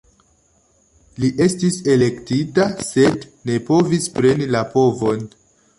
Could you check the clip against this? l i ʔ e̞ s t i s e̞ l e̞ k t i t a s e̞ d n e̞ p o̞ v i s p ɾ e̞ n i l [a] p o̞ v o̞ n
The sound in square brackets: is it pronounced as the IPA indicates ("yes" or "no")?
yes